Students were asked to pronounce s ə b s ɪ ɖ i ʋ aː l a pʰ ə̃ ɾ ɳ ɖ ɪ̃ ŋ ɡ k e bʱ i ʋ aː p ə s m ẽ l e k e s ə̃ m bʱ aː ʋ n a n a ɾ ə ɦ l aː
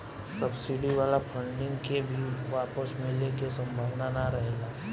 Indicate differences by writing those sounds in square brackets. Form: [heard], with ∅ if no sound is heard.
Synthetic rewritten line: s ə b s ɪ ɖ i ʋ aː l a pʰ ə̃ [∅] ɳ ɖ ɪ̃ ŋ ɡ k e bʱ i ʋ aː p ə s m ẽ l e k e s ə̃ m bʱ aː ʋ n a n a ɾ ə ɦ l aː